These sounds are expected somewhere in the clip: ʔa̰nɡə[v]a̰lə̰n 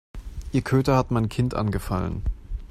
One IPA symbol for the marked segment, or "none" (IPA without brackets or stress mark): f